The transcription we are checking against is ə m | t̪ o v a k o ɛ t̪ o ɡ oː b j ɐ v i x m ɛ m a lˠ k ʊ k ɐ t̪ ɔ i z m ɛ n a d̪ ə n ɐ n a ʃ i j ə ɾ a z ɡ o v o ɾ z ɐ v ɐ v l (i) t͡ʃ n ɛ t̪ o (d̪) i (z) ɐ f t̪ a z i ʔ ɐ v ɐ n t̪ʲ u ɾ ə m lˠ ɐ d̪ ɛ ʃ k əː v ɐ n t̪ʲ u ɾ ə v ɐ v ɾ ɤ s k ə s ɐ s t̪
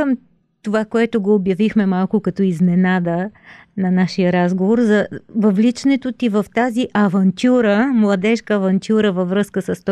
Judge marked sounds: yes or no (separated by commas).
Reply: yes, no, no